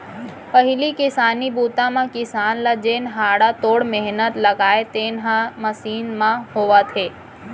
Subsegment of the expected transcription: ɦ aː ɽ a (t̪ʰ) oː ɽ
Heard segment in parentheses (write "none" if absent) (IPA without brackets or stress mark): t̪